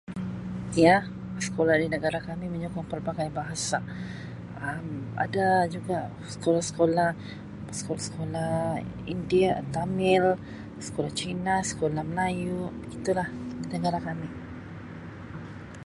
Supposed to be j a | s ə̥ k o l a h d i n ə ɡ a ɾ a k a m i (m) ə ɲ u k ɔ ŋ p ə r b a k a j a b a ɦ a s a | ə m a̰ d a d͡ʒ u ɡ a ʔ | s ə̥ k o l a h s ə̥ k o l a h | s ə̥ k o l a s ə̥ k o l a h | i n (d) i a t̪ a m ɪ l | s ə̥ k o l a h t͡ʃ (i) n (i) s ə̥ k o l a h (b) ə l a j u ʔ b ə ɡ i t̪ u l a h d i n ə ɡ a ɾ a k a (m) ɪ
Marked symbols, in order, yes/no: yes, yes, yes, no, no, yes

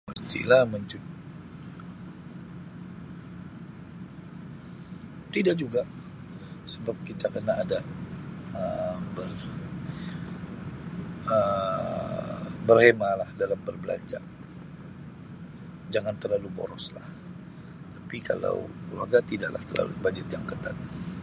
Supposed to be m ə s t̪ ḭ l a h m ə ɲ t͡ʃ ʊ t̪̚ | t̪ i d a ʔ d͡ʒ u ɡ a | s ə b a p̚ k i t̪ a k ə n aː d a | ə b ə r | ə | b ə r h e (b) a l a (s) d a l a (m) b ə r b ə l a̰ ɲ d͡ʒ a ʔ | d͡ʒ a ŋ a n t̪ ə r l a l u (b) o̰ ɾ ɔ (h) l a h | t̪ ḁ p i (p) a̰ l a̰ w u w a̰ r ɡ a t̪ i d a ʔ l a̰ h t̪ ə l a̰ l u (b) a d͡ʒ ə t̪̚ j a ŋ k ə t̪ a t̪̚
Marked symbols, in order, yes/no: no, no, yes, yes, no, no, yes

